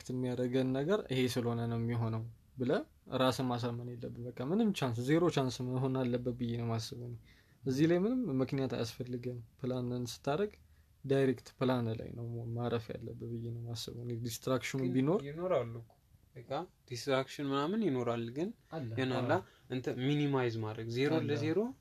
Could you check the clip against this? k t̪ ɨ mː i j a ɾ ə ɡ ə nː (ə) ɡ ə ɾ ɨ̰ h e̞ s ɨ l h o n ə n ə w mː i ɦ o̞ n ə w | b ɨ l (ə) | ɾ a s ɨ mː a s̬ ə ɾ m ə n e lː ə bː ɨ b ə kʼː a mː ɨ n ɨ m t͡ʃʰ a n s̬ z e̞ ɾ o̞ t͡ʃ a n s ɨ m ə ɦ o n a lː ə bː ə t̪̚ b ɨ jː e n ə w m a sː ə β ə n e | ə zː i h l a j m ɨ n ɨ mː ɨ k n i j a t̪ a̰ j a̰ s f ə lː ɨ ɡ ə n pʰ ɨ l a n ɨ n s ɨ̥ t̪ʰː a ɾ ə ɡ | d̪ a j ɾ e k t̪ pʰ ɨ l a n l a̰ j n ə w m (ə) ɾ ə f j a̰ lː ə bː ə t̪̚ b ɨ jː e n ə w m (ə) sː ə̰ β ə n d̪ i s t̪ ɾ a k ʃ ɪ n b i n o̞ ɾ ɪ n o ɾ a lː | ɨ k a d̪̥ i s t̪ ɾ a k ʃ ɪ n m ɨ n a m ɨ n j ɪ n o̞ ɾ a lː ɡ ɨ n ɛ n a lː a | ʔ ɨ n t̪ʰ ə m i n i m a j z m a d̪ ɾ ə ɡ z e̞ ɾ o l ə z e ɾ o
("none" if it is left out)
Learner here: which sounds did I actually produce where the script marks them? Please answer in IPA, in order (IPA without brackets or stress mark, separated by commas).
ə, ə, a, a